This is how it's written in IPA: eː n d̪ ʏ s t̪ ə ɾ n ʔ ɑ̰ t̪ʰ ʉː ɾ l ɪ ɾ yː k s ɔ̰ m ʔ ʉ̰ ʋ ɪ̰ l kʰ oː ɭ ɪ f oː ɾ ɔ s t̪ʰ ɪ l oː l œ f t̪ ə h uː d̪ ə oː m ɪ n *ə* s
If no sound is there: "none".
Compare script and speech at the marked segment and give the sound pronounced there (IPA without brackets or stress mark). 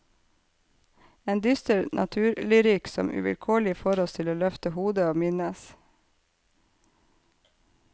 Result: ə